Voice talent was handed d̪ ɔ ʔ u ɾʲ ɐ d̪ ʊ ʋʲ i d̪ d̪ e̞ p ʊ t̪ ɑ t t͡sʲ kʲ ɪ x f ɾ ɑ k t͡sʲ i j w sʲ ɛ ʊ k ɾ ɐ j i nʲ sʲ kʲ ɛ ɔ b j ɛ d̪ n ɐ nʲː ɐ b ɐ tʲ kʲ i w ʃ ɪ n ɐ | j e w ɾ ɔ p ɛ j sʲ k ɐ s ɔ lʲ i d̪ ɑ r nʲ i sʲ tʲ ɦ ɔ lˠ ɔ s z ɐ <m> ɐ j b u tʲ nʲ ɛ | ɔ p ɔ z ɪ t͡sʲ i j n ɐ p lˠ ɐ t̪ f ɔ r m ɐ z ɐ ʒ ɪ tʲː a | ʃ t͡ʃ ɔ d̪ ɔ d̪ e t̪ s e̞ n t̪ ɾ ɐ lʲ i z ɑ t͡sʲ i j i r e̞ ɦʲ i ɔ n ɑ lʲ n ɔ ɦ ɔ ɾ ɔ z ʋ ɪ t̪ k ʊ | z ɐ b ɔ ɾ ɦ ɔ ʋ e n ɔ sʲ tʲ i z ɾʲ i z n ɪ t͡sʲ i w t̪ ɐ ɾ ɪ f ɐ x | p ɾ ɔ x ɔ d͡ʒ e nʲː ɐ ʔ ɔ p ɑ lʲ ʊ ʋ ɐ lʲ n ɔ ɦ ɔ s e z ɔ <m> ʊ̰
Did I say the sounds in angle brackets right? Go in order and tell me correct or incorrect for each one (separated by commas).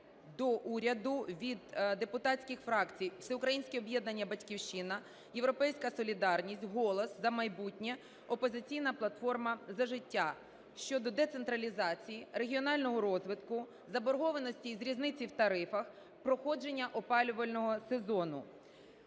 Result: correct, incorrect